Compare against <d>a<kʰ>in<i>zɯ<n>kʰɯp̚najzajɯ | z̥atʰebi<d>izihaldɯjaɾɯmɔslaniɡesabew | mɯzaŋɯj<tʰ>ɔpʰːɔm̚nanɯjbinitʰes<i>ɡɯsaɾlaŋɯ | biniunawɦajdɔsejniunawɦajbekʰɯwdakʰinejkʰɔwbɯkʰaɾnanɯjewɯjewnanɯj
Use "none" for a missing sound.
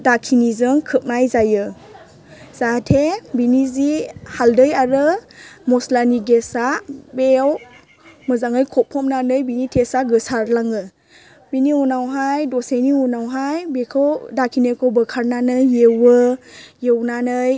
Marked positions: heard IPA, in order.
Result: d, kʰ, i, ŋ, n, kʰ, a

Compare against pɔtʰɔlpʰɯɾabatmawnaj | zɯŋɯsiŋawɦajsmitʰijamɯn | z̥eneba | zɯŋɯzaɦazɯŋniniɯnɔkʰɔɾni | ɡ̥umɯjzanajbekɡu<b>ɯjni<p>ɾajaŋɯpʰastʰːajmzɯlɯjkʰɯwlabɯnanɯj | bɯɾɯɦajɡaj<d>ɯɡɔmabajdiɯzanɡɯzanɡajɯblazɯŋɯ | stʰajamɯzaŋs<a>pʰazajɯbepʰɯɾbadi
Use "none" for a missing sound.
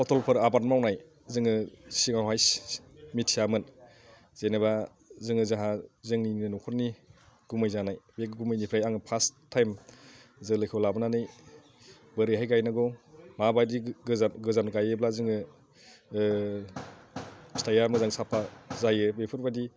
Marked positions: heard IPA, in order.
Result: m, pʰ, n, a

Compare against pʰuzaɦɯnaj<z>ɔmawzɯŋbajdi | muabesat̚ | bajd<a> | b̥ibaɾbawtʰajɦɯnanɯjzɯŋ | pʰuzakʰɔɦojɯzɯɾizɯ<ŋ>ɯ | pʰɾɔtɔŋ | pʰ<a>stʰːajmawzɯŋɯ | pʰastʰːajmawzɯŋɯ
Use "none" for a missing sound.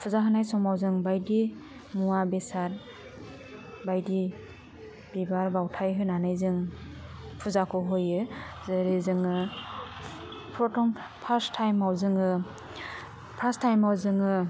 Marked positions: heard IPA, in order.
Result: s, i, ŋ, a

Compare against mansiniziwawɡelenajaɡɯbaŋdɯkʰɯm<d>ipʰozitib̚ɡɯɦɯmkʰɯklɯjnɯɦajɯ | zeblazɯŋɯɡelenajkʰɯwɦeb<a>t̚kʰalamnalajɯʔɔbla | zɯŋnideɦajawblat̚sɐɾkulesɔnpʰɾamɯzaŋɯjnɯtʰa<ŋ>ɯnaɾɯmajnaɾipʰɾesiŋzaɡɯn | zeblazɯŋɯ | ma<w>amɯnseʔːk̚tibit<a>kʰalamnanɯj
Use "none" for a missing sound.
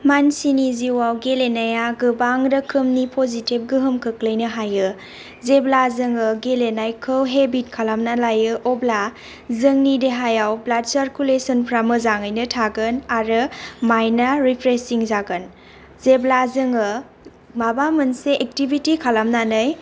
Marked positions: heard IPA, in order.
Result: n, i, ɡ, b, i

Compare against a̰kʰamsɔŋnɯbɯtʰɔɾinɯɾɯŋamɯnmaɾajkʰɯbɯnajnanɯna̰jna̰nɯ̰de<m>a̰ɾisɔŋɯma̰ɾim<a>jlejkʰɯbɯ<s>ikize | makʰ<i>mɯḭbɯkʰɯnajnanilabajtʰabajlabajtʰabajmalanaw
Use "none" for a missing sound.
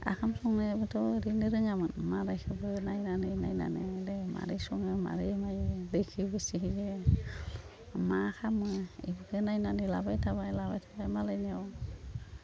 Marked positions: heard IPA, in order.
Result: m, a, s, a

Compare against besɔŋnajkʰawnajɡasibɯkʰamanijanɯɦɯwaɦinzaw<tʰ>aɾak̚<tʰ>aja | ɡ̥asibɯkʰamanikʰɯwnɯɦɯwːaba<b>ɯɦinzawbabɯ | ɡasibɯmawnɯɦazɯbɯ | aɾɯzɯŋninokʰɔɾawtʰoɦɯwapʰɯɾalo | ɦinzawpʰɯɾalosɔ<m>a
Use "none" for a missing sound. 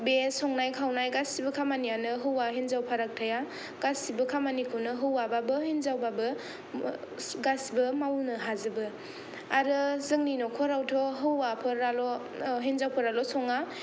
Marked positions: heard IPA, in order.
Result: pʰ, tʰ, b, ŋ

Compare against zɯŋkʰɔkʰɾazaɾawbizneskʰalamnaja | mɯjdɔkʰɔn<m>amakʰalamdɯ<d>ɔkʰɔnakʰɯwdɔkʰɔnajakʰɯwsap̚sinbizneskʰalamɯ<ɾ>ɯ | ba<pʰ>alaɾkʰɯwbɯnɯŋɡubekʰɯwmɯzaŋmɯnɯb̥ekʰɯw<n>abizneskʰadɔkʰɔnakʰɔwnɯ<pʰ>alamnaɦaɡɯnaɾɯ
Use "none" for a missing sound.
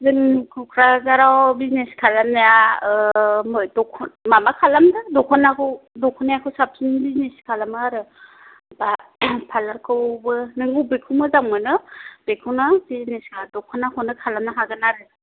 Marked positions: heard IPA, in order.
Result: m, d, ɾ, pʰ, n, kʰ

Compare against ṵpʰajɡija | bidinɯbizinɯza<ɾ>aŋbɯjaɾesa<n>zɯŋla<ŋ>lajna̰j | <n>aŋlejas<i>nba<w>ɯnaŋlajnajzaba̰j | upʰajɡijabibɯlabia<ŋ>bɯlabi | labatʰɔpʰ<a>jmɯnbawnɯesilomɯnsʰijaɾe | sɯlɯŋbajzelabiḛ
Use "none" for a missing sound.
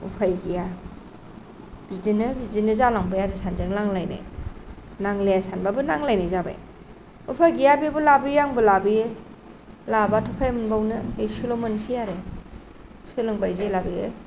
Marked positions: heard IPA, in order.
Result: l, n, ŋ, n, a, b, ŋ, a

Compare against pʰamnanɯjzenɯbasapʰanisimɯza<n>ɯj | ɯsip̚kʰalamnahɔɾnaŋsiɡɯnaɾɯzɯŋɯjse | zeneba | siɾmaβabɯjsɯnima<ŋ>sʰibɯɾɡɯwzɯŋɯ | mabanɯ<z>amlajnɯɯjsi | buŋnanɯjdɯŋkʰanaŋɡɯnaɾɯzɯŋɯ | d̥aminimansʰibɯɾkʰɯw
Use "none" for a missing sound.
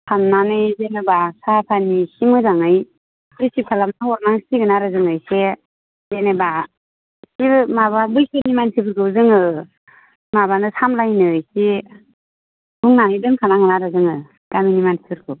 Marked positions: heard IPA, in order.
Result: ŋ, n, s

